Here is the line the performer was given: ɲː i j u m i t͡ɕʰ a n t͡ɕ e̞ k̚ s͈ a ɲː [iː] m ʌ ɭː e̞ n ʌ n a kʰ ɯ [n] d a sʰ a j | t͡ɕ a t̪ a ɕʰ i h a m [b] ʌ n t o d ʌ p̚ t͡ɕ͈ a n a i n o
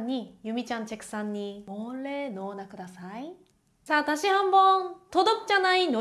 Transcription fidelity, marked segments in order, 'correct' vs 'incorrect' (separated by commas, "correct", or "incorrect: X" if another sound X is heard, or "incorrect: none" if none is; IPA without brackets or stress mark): incorrect: i, incorrect: none, correct